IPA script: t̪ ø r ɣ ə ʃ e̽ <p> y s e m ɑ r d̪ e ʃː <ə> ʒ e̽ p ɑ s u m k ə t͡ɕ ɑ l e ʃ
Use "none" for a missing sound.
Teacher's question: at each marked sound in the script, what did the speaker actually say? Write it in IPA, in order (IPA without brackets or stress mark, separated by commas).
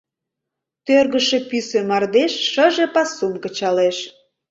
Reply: p, ə